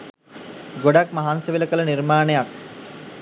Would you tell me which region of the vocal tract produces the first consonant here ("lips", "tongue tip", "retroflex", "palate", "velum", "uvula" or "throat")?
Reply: velum